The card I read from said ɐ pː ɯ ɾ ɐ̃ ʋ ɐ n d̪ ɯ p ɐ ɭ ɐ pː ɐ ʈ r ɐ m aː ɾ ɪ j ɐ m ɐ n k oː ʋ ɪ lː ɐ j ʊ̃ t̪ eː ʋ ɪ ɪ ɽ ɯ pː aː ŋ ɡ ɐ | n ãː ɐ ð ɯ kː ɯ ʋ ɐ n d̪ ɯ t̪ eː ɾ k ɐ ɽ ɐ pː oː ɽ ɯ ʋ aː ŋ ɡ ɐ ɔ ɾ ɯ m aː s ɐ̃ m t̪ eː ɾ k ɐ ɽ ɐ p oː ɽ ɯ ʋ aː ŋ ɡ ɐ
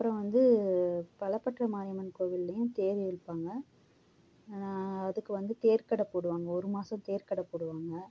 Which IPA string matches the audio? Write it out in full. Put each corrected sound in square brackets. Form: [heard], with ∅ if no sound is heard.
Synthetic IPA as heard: ɐ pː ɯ ɾ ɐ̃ ʋ ɐ n d̪ ɯ p ɐ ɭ ɐ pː ɐ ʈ r ɐ m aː ɾ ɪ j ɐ m ɐ n k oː ʋ ɪ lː ɐ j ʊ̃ t̪ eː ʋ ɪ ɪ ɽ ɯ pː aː ŋ ɡ ɐ | n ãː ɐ ð ɯ kː ɯ ʋ ɐ n d̪ ɯ t̪ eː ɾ k ɐ ɽ ɐ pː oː ɽ ɯ ʋ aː ŋ ɡ ɐ ɔ ɾ ɯ m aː s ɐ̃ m t̪ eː ɾ k ɐ ɽ ɐ p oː ɽ ɯ ʋ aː ŋ ɡ ɐ